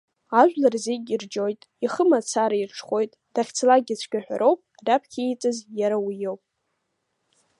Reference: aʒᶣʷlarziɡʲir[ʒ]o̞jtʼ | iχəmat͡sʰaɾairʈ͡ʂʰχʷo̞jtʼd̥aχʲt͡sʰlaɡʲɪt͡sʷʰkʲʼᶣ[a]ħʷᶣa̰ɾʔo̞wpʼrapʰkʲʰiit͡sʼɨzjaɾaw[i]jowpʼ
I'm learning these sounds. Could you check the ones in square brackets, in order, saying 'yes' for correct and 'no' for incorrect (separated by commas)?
no, yes, yes